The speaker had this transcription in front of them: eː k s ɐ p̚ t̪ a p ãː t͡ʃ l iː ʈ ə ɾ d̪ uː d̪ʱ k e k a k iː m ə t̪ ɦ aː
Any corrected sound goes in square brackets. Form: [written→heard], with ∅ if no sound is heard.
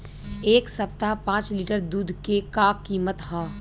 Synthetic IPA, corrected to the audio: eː k s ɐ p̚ t̪ a p ãː t͡ʃ l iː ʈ ə ɾ d̪ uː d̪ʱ k e k a k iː m ə t̪ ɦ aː